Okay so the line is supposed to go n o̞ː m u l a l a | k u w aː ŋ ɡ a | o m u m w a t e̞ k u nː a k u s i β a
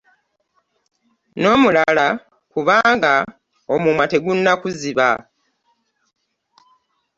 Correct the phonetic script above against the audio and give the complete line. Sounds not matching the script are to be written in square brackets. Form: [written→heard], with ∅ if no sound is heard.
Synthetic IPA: n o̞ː m u l a l a | k u [w→β] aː ŋ ɡ a | o m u m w a t e̞ [k→ɡ] u nː a k u [s→z] i β a